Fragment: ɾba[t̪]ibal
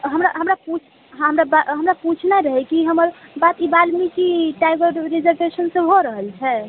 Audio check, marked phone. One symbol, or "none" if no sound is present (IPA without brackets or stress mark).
t̪